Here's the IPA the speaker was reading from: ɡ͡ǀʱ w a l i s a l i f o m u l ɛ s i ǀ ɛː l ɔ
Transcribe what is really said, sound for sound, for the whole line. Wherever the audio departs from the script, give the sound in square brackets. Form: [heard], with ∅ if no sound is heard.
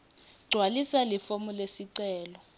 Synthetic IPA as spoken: ɡ͡ǀʱ w a l i s a l i f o m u l [e] s i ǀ ɛː l ɔ